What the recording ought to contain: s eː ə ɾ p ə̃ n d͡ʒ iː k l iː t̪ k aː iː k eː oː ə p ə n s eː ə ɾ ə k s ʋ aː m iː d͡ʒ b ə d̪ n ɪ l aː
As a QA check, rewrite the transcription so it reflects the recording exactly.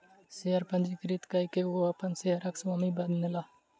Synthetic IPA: s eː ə ɾ p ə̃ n d͡ʒ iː k ɾ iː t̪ k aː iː k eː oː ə p ə n s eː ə ɾ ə k s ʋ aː m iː b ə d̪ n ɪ l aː

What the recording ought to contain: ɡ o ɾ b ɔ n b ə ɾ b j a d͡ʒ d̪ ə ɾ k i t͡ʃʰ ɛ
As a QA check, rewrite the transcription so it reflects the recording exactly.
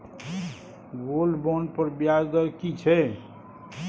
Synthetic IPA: ɡ o l b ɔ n p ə ɾ b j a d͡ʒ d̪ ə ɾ k i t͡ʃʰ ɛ

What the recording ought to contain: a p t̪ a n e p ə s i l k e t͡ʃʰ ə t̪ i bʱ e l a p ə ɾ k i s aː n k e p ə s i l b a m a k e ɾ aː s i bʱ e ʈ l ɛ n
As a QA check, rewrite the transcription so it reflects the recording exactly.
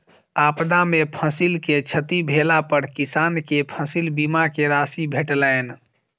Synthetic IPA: a p d̪ a m e pʰ ə s i l k e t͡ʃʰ ə t̪ i bʱ e l a p ə ɾ k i s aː n k e pʰ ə s i l b i m a k e ɾ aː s i bʱ e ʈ l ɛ n

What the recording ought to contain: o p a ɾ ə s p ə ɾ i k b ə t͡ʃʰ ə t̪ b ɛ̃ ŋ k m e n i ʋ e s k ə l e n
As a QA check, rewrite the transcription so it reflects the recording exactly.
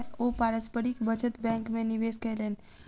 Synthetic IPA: o p a ɾ ə s p ə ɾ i k b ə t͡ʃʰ ə t̪ b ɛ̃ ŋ k m e n i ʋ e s k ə l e n

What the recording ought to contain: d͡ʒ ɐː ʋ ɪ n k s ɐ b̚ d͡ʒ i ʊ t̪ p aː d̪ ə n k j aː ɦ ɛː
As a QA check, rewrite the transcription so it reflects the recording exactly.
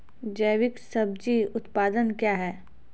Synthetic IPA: d͡ʒ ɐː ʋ ɪ k s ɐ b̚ d͡ʒ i ʊ t̪ p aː d̪ ə n k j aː ɦ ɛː

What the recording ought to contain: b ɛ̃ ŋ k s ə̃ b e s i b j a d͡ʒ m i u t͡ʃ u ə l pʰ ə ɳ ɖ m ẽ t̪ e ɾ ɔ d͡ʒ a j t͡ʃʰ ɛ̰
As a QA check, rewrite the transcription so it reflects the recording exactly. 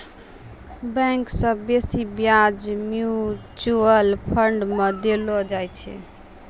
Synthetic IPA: b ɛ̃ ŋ k s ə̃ b e s i b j a d͡ʒ m j u t͡ʃ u ə l pʰ ə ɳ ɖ m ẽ d̪ e l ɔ d͡ʒ a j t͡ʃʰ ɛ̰

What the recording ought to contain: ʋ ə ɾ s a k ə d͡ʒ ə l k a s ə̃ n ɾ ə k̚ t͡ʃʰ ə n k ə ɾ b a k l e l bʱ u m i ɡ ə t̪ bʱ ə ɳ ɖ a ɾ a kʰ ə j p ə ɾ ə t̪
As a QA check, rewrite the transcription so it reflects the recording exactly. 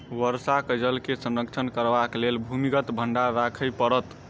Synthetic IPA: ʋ ə ɾ s a k ə d͡ʒ ə l k e s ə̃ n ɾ ə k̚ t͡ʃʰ ə n k ə ɾ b a k l e l bʱ u m i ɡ ə t̪ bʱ ə ɳ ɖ a ɾ a kʰ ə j p ə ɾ ə t̪

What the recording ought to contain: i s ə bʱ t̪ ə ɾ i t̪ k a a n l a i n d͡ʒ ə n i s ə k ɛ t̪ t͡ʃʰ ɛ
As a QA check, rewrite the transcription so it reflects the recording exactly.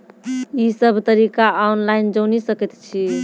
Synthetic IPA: i s ə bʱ t̪ ə ɾ i k a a n l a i n d͡ʒ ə n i s ə k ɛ t̪ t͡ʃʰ i

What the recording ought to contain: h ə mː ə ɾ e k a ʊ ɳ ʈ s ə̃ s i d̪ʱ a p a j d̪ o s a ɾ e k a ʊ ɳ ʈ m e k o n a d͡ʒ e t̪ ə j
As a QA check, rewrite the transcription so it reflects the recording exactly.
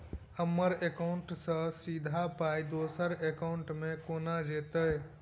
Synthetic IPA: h ə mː ə ɾ e k a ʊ ɳ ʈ s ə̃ s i d̪ʱ a p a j d̪ o s ə ɾ e k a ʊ ɳ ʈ m e k o n a d͡ʒ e t̪ ə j

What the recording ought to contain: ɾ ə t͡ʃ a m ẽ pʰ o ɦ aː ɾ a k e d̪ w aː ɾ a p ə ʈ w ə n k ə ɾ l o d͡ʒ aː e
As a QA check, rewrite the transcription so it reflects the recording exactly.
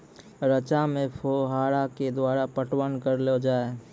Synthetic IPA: ɾ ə t͡ʃ a m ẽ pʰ o ɦ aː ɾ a k e d̪ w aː ɾ a p ə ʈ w ə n k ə ɾ l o d͡ʒ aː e

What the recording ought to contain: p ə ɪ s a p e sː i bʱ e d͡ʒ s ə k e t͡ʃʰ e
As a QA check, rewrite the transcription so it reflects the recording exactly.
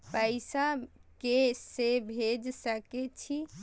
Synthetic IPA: p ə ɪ s a k e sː e bʱ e d͡ʒ s ə k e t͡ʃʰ i

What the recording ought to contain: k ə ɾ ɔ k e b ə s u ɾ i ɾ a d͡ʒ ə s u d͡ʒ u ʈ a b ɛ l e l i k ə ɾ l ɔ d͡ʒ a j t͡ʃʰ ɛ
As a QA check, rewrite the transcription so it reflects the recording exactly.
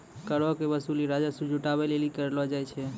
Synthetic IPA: k ə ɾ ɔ k e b ə s u l i ɾ a d͡ʒ a s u d͡ʒ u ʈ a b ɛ l e l i k ə ɾ l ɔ d͡ʒ a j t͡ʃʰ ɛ

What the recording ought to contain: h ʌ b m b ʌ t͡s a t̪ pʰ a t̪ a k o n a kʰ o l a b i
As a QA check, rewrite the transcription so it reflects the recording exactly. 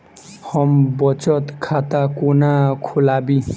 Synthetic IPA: h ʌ m b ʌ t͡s ʌ t̪ kʰ a t̪ a k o n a kʰ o l a b i

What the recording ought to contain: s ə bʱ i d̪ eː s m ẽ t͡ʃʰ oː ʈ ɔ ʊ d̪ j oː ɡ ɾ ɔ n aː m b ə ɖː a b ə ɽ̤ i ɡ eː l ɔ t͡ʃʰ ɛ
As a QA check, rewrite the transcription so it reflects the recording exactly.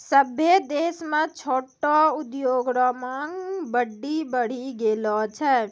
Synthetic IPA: s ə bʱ e d̪ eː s m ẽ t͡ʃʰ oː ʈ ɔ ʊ d̪ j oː ɡ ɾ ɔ m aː ŋ b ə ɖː i b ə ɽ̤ i ɡ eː l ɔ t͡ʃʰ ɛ

